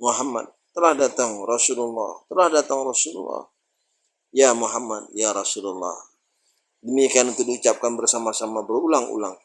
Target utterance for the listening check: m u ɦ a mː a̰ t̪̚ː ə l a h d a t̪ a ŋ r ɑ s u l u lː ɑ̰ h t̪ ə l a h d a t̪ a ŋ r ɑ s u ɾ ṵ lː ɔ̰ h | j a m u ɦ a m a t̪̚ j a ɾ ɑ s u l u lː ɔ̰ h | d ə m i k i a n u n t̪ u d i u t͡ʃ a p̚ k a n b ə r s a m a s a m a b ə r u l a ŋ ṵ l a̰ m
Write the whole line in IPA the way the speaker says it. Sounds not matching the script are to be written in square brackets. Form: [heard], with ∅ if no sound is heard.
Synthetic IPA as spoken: m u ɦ a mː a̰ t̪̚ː ə l a h d a t̪ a ŋ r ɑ s u l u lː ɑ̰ h t̪ ə l a h d a t̪ a ŋ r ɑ s u [l] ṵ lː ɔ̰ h | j a m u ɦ a m a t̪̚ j a ɾ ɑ s u l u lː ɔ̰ h | d ə m i k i a n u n t̪ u d i u t͡ʃ a p̚ k a n b ə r s a m a s a m a b ə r u l a ŋ ṵ l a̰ [ŋ]

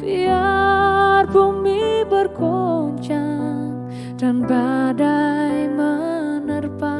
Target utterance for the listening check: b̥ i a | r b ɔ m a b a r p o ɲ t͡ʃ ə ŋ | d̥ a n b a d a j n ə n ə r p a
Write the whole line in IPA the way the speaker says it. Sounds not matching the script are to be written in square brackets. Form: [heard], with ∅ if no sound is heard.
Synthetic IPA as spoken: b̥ i a | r b [u] m [i] b [ə] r [k] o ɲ t͡ʃ [a] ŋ | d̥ a n b a d a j [m] ə n ə r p a

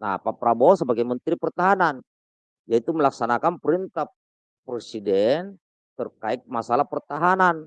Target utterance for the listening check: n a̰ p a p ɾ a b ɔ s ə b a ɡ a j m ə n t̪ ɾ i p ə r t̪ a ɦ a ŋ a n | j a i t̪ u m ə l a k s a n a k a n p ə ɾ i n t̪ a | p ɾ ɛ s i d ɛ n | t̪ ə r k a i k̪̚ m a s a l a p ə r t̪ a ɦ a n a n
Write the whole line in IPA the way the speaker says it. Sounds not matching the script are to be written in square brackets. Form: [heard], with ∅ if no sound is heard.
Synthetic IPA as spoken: n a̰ p a p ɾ a b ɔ s ə b a ɡ a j m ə n t̪ ɾ i p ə r t̪ a ɦ a [n] a n | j a i t̪ u m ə l a k s a n a k a n p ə ɾ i n t̪ a | p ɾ ɛ s i d ɛ n | t̪ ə r k a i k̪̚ m a s a l a p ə r t̪ a ɦ a n a n

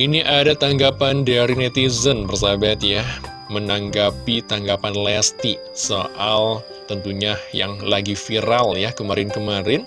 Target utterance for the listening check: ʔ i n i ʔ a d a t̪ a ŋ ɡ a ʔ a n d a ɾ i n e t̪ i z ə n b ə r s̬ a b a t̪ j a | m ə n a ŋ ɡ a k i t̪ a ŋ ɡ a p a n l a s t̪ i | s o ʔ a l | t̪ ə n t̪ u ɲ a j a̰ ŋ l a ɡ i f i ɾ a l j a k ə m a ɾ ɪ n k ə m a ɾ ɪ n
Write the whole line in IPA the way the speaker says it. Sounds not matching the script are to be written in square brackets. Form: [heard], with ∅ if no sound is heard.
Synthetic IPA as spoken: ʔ i n i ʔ a d a t̪ a ŋ ɡ a [p] a n d a ɾ i n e t̪ i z ə n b ə r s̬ a b a t̪ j a | m ə n a ŋ ɡ a [p] i t̪ a ŋ ɡ a p a n l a s t̪ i | s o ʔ a l | t̪ ə n t̪ u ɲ a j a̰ ŋ l a ɡ i f i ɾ a l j a k ə m a ɾ ɪ n k ə m a ɾ ɪ n

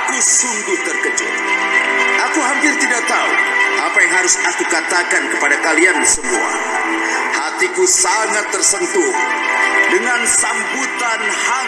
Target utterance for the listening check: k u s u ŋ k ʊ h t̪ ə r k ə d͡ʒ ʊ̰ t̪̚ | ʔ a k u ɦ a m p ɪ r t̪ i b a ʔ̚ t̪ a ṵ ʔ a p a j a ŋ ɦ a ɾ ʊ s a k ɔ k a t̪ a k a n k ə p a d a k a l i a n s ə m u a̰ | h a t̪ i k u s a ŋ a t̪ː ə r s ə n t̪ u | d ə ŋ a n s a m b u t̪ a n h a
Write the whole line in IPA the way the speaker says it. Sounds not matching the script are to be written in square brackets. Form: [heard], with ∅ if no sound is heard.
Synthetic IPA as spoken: k u s u ŋ [ɡ] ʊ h t̪ ə r k ə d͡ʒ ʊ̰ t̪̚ | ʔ a k u ɦ a m p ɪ r t̪ i [d] a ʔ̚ t̪ a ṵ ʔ a p a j a ŋ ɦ a ɾ ʊ s a k [u] k a t̪ a k a n k ə p a d a k a l i a n s ə m u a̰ | h a t̪ i k u s a ŋ a t̪ː ə r s ə n t̪ u | d ə ŋ a n s a m b u t̪ a n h a

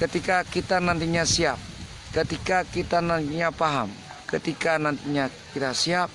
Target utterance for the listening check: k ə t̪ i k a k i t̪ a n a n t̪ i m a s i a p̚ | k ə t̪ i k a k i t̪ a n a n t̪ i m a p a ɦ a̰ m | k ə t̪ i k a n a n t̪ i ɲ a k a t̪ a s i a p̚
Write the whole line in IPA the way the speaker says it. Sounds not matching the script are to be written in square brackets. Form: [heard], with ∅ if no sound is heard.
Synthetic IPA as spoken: k ə t̪ i k a k i t̪ a n a n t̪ i [ɲ] a s i a p̚ | k ə t̪ i k a k i t̪ a n a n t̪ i [ɲ] a p a ɦ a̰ m | k ə t̪ i k a n a n t̪ i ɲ a k [i] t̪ a s i a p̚

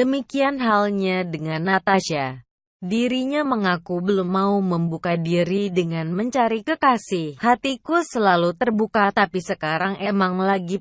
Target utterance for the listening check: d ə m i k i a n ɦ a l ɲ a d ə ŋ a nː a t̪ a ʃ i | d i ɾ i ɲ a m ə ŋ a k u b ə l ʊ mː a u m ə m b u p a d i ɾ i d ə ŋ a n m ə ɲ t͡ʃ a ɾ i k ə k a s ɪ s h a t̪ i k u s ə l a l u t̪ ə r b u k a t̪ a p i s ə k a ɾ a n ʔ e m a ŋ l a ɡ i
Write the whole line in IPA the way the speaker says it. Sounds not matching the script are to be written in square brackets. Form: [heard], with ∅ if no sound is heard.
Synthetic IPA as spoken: d ə m i k i a n ɦ a l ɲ a d ə ŋ a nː a t̪ a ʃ [a] | d i ɾ i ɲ a m ə ŋ a k u b ə l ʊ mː a u m ə m b u [k] a d i ɾ i d ə ŋ a n m ə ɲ t͡ʃ a ɾ i k ə k a s ɪ [h] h a t̪ i k u s ə l a l u t̪ ə r b u k a t̪ a p i s ə k a ɾ a [ŋ] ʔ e m a ŋ l a ɡ i

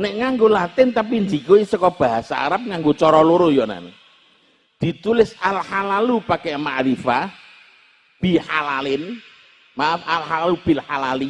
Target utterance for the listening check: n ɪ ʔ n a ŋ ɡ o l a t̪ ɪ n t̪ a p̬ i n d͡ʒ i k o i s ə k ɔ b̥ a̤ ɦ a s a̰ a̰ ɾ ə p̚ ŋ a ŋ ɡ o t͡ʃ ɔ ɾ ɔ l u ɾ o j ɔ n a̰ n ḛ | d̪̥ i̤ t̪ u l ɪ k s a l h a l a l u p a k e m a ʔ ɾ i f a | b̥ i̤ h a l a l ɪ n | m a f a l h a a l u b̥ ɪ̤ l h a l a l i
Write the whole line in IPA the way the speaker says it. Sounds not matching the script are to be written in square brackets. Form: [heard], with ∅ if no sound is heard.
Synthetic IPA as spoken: n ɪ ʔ [ŋ] a ŋ ɡ o l a t̪ ɪ n t̪ a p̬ i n d͡ʒ i k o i s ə k ɔ b̥ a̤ ɦ a s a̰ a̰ ɾ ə p̚ ŋ a ŋ ɡ o t͡ʃ ɔ ɾ ɔ l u ɾ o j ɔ n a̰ n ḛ | d̪̥ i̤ t̪ u l ɪ [∅] s a l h a l a l u p a k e m a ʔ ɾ i f a | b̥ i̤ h a l a l ɪ n | m a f a l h a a l u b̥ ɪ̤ l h a l a l i

